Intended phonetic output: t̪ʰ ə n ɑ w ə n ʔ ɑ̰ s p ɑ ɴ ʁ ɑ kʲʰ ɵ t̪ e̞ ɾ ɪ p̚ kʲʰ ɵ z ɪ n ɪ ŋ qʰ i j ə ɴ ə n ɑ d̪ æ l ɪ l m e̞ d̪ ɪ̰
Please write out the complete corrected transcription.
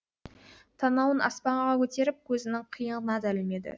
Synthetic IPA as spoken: t̪ʰ ɑ n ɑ w ə n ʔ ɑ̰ s p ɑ ɴ ʁ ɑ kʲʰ ɵ t̪ e̞ ɾ ɪ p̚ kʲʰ ɵ z ɪ n ɪ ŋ qʰ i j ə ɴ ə n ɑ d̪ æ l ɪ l m e̞ d̪ ɪ̰